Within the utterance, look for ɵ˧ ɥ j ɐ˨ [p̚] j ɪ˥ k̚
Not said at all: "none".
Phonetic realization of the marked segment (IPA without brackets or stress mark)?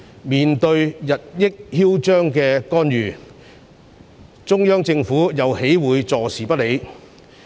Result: t̚